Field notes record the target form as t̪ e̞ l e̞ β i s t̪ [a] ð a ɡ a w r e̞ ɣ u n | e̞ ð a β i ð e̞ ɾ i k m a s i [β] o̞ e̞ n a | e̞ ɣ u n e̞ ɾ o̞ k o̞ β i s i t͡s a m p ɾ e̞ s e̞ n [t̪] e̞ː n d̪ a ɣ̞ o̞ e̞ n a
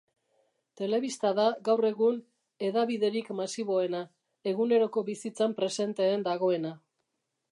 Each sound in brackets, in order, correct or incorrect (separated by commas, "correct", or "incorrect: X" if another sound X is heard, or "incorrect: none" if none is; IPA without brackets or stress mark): correct, correct, correct